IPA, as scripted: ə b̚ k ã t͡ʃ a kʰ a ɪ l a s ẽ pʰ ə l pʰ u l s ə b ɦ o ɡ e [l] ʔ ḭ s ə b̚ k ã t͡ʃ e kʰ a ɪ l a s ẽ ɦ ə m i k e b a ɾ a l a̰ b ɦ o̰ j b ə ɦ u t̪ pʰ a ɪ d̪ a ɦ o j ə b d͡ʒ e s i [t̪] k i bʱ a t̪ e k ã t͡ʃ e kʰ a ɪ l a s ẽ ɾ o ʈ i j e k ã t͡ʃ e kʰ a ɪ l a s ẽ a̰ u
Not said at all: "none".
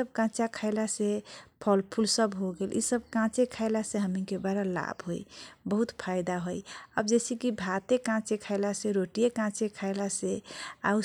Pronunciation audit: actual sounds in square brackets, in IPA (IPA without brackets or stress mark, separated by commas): l, none